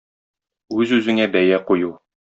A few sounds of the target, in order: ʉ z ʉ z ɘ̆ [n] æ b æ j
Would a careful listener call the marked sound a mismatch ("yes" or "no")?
yes